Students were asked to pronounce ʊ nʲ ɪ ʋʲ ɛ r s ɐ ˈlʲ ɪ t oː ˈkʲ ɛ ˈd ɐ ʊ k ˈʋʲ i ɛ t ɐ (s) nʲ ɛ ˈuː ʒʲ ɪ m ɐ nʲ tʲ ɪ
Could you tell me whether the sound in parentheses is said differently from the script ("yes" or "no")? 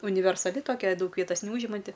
no